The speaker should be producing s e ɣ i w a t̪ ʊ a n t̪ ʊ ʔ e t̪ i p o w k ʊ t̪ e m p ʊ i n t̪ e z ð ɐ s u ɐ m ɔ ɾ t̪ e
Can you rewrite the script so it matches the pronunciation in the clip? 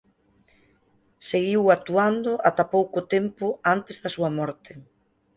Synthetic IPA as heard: s e ɣ i w a t̪ u a n d̪ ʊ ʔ a t̪ a p o w k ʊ t̪ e m p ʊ a n t̪ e z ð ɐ s u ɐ m ɔ ɾ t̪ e